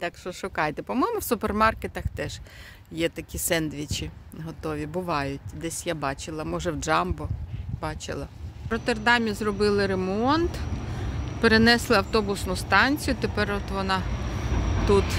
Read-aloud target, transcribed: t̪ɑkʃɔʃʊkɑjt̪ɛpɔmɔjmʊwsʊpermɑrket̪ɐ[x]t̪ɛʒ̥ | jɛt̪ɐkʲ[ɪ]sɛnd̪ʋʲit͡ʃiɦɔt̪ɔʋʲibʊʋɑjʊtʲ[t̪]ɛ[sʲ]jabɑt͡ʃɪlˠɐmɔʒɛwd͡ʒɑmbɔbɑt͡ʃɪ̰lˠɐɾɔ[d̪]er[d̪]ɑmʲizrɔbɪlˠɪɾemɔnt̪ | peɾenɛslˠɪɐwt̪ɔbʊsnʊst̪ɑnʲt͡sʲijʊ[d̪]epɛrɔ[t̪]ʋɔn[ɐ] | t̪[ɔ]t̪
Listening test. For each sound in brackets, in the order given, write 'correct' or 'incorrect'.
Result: correct, incorrect: i, incorrect: d̪, correct, incorrect: t̪, correct, incorrect: t̪, correct, incorrect: ɑ, incorrect: u

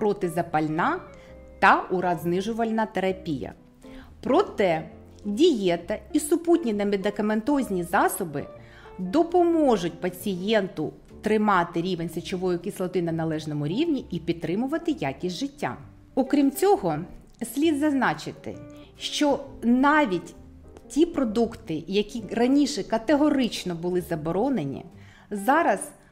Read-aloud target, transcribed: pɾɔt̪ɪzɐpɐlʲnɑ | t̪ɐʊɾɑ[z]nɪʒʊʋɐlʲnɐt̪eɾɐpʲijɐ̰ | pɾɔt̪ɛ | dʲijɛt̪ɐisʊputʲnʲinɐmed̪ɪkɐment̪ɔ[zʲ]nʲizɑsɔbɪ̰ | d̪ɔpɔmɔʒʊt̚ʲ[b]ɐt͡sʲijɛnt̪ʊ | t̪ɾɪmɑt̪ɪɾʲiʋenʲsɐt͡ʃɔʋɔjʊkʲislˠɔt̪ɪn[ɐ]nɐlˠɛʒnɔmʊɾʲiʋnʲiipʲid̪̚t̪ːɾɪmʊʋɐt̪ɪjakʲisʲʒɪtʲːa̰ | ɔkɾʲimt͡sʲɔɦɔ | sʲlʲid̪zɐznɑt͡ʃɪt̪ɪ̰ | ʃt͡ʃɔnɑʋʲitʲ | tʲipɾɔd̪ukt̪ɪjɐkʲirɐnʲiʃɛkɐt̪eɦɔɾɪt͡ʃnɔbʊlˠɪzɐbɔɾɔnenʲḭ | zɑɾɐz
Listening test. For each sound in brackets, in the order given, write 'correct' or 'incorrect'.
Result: correct, correct, incorrect: p, correct

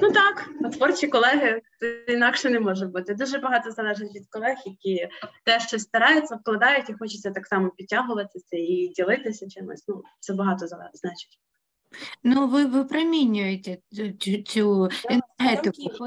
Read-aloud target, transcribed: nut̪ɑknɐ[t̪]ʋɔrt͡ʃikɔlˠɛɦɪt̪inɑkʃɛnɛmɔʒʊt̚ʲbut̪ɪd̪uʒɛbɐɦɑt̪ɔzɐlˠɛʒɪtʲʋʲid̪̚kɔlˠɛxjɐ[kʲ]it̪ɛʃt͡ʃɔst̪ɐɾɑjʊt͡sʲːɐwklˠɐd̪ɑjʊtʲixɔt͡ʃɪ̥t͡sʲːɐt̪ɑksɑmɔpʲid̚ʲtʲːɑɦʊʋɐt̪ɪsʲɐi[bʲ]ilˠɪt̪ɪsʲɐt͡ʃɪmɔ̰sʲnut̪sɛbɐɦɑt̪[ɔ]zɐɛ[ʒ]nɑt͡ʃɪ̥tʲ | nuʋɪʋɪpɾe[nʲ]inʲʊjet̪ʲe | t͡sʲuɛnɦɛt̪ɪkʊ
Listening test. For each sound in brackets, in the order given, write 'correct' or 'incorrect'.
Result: correct, correct, incorrect: dʲ, correct, incorrect: z, incorrect: mʲ

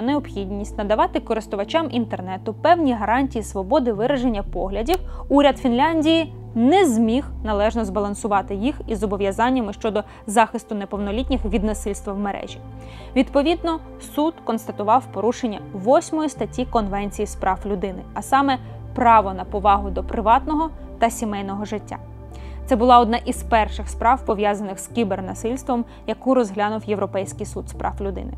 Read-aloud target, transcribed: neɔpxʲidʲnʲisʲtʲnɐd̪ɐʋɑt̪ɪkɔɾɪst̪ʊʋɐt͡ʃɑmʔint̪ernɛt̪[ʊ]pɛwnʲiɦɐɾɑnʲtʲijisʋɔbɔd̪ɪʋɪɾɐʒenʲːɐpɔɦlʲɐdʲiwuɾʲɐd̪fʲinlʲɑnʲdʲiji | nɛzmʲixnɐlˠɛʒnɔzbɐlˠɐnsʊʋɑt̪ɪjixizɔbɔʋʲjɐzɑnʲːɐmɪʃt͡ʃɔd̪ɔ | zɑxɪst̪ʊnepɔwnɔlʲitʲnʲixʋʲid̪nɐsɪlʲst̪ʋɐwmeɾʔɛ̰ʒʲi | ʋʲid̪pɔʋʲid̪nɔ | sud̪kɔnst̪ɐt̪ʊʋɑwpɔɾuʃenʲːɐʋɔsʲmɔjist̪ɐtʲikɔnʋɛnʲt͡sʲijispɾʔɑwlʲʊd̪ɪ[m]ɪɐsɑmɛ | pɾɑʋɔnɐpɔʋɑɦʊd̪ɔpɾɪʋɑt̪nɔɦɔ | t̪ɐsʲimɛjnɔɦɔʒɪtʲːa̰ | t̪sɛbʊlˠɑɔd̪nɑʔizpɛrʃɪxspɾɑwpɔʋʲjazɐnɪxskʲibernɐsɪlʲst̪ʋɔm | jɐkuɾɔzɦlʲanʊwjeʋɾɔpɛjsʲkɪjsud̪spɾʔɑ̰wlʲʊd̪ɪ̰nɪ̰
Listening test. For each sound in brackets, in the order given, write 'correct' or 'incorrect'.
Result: correct, incorrect: n

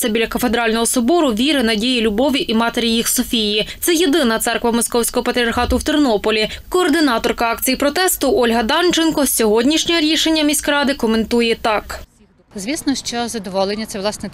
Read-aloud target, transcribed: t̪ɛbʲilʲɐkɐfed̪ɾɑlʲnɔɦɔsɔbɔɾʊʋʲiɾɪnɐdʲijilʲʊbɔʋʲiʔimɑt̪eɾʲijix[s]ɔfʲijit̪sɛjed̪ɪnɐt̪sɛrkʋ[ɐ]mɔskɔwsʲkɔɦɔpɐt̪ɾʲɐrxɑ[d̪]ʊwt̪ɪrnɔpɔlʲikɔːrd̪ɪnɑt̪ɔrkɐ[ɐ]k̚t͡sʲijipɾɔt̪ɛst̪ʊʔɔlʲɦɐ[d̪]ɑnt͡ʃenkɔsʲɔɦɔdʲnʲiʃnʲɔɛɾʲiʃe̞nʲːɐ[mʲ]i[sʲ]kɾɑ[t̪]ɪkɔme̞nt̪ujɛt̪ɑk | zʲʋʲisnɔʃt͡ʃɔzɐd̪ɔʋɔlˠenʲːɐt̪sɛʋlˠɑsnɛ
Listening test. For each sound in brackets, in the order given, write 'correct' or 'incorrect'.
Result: correct, correct, incorrect: t̪, incorrect: ɑ, correct, correct, correct, incorrect: d̪

